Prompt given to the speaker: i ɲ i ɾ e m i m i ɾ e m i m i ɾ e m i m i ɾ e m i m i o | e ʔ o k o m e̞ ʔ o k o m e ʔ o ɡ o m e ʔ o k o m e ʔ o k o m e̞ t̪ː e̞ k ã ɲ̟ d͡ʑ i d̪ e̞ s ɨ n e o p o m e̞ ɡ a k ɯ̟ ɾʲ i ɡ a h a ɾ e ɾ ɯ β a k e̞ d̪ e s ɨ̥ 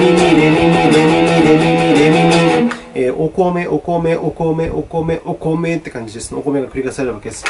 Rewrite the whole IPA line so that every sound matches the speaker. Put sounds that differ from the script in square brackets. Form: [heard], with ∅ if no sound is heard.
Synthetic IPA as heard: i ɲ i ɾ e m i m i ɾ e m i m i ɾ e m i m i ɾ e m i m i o | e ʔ o k o m e̞ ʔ o k o m e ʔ o [k] o m e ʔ o k o m e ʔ o k o m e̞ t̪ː e̞ k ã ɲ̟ d͡ʑ i d̪ e̞ s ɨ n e o [k] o m e̞ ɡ a k ɯ̟ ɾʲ i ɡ a [s] a ɾ e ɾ ɯ β a k e̞ d̪ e s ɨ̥